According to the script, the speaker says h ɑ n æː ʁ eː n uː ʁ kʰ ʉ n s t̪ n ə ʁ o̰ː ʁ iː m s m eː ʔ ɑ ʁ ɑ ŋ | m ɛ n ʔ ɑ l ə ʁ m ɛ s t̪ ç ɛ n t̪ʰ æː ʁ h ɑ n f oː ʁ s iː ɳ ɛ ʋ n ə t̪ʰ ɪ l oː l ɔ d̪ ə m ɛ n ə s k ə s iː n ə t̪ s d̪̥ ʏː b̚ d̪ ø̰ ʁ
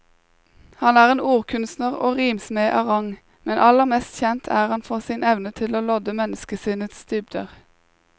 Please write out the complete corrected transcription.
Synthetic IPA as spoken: h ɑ n æː ʁ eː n uː ʁ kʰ ʉ n s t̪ n ə ʁ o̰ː ʁ iː m s m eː ʔ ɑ ʁ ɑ ŋ | m ɛ n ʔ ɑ l ə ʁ m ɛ s t̪ ç ɛ n t̪ʰ æː ʁ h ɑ n f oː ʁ s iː n ɛ ʋ n ə t̪ʰ ɪ l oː l ɔ d̪ ə m ɛ n ə s k ə s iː n ə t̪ s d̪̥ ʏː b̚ d̪ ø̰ ʁ